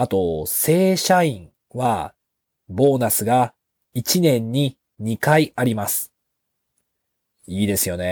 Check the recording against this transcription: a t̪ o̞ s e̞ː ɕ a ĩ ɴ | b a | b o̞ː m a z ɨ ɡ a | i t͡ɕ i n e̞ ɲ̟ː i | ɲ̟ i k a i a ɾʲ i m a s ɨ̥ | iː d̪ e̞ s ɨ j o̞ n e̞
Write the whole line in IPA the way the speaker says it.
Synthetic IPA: a t̪ o̞ s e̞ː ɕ a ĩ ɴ | β a | b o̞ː n a s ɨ ɡ a | i t͡ɕ i n ẽ̞ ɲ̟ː i | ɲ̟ i k a i a ɾʲ i m a s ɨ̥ | iː d̪ e̞ s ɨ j o̞ n e̞